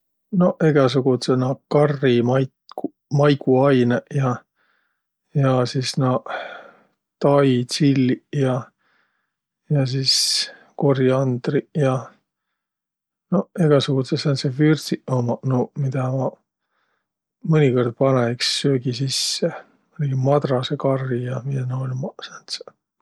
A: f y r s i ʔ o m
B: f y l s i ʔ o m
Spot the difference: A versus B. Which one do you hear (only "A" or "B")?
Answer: A